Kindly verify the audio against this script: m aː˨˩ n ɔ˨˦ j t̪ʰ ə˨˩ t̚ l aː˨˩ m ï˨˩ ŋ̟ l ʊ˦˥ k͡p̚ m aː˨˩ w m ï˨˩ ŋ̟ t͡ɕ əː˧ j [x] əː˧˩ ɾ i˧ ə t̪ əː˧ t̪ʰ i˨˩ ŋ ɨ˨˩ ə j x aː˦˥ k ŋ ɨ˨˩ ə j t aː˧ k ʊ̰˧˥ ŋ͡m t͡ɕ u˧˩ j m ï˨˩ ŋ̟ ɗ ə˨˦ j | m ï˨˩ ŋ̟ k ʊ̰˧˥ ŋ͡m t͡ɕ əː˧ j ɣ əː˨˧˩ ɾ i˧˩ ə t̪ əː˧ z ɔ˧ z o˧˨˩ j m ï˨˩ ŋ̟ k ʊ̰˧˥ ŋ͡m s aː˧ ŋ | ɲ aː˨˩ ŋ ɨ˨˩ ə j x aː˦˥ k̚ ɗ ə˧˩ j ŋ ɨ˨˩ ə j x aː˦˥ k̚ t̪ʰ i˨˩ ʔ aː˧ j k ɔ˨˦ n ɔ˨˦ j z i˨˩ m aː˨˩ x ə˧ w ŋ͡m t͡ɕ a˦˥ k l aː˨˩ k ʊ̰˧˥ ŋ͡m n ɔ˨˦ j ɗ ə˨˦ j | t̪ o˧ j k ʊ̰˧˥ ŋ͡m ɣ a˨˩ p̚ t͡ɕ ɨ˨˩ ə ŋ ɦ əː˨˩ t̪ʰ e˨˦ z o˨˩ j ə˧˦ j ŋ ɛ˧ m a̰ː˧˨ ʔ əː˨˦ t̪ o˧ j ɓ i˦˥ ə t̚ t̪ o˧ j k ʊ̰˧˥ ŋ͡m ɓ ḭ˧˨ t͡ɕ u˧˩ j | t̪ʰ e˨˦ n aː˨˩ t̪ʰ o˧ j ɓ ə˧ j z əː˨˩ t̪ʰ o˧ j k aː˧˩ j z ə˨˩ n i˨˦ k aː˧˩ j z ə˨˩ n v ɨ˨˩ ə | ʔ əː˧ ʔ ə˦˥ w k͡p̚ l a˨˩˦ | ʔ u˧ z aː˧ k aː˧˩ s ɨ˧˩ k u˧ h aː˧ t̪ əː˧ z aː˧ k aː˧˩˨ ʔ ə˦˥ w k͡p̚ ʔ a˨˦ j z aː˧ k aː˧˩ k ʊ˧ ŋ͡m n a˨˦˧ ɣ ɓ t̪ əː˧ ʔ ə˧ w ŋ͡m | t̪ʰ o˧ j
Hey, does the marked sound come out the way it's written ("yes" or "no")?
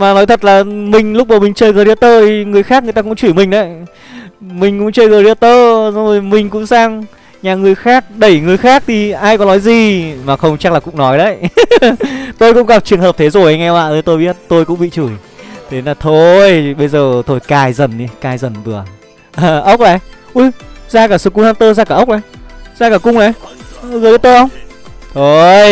no